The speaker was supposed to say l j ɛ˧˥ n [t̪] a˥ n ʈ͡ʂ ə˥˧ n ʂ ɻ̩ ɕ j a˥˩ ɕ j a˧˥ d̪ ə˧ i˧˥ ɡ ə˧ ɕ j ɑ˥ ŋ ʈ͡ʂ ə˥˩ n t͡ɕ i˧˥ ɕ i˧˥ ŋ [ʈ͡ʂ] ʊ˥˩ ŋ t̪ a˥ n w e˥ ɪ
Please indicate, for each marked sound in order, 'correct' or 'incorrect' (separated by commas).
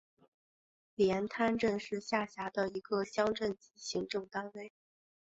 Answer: incorrect, correct